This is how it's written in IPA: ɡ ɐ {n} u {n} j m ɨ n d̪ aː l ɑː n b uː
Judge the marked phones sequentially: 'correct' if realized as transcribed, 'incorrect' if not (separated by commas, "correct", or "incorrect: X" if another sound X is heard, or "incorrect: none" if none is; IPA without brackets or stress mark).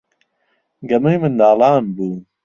incorrect: m, incorrect: none